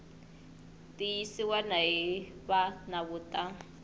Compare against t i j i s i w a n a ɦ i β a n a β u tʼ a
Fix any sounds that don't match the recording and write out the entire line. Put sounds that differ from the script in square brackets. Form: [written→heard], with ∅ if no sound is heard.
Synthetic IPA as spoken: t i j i s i w a n a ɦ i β a n a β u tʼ a